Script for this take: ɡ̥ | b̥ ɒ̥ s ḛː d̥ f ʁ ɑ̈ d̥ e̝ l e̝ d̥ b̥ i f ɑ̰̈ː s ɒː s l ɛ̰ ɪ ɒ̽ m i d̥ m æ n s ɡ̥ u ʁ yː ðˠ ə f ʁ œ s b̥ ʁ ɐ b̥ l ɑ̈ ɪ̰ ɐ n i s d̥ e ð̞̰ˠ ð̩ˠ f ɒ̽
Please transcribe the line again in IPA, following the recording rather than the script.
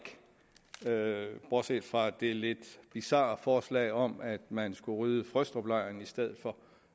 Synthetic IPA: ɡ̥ | b̥ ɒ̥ s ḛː d̥ f ʁ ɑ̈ d̥ e̝ l e̝ d̥ b̥ i s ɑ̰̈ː f ɒː s l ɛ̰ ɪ ɒ̽ m æ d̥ m æ n s ɡ̥ u ʁ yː ðˠ ə f ʁ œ s d̥ ʁ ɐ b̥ l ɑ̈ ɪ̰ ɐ n i s d̥ e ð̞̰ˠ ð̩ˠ f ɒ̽